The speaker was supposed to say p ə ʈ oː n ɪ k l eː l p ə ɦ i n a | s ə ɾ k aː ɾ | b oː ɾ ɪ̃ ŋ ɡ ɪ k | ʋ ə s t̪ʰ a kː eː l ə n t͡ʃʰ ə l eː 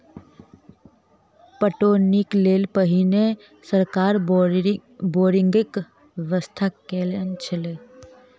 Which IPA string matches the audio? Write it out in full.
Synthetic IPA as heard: p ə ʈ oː n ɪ k l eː l p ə ɦ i n e | s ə ɾ k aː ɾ | b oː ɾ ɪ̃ ŋ ɡ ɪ k | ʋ ə s t̪ʰ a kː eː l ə n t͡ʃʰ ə l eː